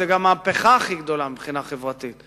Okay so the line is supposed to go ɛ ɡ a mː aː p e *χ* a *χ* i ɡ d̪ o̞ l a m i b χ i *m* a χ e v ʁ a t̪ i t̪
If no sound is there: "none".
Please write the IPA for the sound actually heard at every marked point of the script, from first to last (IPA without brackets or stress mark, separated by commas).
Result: χ, χ, n